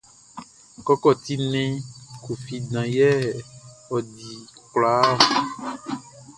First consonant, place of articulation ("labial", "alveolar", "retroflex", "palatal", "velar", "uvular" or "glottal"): velar